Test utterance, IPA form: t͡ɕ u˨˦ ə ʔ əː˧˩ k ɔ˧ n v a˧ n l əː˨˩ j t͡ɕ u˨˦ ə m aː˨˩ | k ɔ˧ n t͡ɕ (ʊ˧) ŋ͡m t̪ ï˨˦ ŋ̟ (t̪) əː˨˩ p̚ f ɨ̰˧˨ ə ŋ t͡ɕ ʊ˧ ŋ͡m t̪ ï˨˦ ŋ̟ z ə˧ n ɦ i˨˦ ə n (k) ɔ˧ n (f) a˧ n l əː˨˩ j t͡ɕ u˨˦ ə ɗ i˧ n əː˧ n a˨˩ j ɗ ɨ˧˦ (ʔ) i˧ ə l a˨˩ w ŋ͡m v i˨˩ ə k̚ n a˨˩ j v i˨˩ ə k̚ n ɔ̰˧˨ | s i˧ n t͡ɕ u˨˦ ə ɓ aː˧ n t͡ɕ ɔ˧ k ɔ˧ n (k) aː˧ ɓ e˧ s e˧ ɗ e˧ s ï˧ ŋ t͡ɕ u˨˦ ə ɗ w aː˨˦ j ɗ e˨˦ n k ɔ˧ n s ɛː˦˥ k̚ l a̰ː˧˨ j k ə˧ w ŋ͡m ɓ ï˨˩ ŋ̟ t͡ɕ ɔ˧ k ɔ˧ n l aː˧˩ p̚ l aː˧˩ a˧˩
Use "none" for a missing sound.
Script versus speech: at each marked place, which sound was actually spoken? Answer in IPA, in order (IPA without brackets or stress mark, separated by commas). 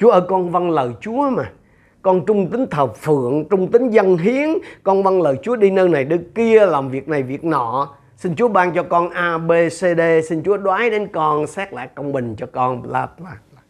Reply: ʊ˧, t̪ʰ, k, v, k, ʔ